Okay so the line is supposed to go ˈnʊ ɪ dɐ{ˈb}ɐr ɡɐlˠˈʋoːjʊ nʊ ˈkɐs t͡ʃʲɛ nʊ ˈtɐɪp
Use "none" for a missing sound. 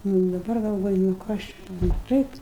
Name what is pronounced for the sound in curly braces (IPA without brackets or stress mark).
b